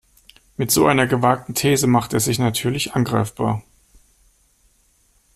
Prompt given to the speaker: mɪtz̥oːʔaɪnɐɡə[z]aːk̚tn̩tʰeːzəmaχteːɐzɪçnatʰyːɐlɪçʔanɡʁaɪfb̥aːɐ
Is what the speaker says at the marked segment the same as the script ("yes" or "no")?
no